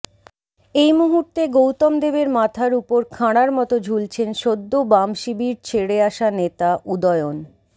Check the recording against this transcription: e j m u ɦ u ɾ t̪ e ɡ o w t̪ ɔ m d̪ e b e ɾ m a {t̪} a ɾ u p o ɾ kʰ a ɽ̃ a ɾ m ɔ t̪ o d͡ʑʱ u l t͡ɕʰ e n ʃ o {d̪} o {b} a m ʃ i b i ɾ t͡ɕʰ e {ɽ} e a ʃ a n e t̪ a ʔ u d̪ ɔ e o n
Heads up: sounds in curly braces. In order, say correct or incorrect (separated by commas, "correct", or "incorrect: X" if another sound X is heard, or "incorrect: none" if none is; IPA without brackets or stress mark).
incorrect: t̪ʰ, incorrect: d̪ː, correct, correct